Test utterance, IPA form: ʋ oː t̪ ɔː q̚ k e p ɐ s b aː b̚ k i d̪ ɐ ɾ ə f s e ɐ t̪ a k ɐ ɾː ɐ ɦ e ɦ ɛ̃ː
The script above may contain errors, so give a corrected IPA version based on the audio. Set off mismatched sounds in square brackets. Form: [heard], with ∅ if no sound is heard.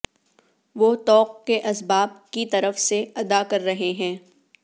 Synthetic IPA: ʋ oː t̪ ɔː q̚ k e [ʔ] ɐ s b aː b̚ k i [t̪] ɐ ɾ ə f s e ɐ [d̪] a k ɐ ɾː ɐ ɦ e ɦ ɛ̃ː